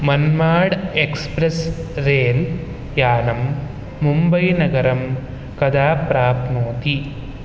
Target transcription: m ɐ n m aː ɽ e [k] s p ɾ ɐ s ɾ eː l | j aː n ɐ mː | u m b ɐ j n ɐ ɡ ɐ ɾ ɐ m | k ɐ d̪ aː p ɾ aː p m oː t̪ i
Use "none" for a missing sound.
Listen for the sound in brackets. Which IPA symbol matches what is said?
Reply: k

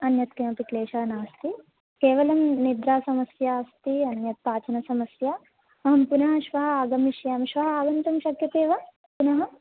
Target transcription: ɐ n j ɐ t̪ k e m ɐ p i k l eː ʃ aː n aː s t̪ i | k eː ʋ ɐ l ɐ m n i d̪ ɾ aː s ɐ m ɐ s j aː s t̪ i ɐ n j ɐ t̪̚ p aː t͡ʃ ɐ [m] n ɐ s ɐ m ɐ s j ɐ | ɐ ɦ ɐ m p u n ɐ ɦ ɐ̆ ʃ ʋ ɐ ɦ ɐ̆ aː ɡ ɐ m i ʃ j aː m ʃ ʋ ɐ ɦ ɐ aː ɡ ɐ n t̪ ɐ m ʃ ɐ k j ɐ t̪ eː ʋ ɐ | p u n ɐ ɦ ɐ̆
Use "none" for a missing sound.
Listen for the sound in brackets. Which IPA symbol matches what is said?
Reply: none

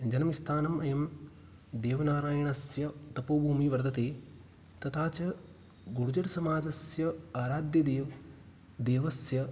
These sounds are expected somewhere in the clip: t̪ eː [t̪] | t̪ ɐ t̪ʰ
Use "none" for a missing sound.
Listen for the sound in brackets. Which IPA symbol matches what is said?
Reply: none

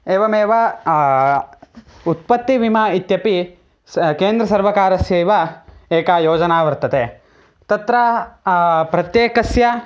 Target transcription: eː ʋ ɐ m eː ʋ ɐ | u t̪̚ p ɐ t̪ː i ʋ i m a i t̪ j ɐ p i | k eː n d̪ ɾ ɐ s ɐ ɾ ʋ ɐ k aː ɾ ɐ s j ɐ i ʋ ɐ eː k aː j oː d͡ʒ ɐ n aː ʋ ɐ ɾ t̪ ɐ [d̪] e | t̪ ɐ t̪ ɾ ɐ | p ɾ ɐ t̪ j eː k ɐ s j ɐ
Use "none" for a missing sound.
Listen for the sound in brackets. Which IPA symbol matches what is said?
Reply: t̪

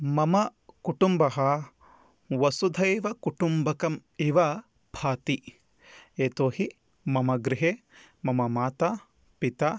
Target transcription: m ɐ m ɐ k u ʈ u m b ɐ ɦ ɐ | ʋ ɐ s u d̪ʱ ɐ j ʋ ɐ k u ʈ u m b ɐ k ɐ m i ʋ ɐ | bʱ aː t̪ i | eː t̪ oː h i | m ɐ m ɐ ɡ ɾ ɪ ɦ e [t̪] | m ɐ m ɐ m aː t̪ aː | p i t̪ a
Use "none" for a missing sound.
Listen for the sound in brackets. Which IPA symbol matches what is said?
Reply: none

